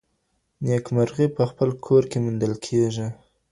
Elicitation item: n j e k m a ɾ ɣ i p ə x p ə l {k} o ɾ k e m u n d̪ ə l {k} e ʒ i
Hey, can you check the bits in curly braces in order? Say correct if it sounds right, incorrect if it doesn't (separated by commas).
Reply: incorrect, incorrect